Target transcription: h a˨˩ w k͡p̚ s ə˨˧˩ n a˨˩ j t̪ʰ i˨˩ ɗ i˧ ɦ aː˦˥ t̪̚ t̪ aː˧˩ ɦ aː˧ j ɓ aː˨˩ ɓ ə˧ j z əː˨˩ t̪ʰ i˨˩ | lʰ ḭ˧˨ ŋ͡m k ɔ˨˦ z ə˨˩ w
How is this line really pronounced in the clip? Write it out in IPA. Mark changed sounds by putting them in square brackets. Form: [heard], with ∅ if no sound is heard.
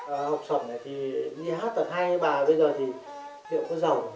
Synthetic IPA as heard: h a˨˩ w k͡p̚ s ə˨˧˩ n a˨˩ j t̪ʰ i˨˩ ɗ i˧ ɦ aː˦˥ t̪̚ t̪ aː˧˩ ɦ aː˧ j ɓ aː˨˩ ɓ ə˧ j z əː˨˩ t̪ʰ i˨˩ | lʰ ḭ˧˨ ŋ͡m k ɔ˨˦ z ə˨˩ w